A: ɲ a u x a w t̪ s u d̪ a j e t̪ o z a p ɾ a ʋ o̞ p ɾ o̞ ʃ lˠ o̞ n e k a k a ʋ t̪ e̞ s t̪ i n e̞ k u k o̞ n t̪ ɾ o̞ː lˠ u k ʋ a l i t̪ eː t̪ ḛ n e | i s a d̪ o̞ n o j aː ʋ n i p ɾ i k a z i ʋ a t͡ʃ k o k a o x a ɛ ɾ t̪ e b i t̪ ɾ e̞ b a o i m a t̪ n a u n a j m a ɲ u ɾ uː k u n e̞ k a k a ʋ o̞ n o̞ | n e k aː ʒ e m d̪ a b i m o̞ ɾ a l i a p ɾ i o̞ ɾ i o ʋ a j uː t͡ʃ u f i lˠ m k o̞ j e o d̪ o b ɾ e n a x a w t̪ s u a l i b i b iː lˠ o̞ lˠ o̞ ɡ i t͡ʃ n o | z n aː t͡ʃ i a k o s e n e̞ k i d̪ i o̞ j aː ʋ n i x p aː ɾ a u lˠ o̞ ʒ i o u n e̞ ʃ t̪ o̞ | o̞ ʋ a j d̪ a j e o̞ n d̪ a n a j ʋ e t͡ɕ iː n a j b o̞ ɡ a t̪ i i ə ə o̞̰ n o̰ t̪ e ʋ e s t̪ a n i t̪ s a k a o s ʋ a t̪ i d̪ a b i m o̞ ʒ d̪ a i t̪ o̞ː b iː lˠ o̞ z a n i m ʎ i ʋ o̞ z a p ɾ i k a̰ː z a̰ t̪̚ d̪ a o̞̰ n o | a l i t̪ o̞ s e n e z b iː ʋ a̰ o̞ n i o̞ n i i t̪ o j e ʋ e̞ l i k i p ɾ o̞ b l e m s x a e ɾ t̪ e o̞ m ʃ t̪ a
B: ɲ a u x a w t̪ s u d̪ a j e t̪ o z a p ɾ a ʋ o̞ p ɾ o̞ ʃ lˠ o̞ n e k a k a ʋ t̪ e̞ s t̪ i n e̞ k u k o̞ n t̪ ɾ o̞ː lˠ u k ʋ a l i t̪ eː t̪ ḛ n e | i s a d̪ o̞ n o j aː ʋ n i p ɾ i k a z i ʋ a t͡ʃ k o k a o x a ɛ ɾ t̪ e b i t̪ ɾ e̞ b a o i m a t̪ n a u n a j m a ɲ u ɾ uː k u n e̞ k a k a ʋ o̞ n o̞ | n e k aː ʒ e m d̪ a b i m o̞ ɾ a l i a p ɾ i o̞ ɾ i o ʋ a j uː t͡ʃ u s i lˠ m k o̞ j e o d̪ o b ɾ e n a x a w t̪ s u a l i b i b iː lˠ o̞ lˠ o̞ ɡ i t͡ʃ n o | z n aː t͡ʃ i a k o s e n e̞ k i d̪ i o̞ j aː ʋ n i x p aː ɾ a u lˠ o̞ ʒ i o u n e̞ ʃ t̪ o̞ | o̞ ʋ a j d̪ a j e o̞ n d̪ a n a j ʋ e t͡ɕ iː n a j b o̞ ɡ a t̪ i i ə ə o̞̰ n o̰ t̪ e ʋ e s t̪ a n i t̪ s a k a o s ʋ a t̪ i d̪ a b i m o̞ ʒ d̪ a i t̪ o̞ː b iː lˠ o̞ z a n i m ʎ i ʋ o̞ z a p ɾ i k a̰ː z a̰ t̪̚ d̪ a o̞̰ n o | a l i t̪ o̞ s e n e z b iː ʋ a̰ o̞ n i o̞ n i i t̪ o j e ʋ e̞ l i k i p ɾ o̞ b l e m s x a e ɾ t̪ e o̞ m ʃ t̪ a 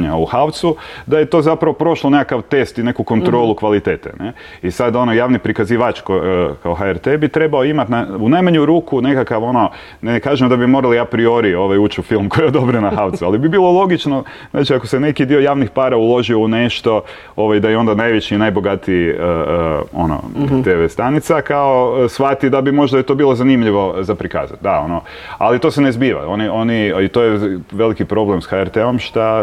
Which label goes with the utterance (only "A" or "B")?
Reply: A